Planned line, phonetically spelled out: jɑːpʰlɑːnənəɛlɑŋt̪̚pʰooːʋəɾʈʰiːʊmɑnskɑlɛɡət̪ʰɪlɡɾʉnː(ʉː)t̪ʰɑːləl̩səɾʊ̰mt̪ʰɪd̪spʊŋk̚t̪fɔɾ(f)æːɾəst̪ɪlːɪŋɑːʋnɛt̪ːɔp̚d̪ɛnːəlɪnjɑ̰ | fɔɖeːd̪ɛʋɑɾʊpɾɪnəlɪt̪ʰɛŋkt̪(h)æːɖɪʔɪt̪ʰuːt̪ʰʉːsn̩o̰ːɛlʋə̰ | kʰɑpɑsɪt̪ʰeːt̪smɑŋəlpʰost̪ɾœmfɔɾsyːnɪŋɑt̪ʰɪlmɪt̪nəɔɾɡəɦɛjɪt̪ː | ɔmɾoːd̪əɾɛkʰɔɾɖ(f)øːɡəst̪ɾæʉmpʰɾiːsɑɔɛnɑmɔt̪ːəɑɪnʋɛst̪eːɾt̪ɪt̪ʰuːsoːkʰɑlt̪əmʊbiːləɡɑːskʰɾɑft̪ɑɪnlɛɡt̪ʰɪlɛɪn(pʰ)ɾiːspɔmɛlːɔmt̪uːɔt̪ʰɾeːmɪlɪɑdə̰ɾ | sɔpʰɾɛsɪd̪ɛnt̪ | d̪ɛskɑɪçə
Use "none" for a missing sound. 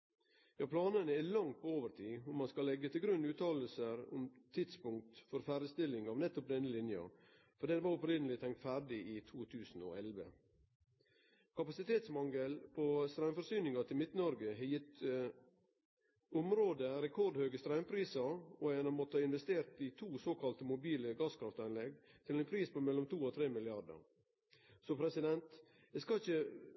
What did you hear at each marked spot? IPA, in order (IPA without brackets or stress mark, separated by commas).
ʉː, f, f, h, pʰ